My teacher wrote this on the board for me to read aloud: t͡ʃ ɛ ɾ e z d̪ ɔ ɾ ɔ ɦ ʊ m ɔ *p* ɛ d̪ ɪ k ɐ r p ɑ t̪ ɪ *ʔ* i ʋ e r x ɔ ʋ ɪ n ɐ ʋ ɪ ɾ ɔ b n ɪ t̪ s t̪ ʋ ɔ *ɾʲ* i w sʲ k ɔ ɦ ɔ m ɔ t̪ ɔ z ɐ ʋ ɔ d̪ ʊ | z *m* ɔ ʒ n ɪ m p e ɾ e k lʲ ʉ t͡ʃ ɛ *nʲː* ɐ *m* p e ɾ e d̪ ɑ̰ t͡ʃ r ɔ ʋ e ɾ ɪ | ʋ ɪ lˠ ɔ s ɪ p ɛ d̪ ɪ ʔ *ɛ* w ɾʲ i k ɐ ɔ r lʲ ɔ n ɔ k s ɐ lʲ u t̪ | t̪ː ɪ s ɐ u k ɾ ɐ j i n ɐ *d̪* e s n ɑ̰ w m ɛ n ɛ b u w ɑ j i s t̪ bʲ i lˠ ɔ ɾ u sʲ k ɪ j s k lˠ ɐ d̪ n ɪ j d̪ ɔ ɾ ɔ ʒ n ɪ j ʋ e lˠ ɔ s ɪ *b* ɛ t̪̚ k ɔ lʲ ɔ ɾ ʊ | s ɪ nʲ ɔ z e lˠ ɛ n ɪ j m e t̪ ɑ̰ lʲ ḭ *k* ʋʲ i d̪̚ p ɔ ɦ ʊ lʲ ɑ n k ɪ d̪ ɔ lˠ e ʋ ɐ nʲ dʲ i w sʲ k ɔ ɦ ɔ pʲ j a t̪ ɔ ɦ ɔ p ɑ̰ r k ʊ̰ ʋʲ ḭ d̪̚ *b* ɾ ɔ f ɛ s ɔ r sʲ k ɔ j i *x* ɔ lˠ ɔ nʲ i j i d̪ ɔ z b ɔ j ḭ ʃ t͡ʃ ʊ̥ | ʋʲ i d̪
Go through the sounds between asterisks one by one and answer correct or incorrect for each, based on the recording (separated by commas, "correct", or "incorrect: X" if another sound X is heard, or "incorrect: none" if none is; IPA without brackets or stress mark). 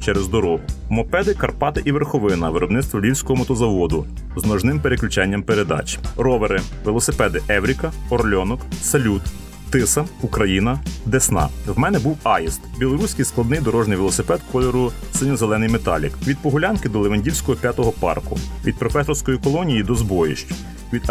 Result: correct, correct, incorrect: lʲ, incorrect: n, correct, correct, correct, correct, incorrect: p, correct, incorrect: p, incorrect: k